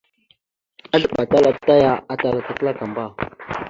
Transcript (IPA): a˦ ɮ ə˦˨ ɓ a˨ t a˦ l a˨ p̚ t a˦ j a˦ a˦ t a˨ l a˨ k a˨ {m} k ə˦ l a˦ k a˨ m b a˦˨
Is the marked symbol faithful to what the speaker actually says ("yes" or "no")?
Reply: no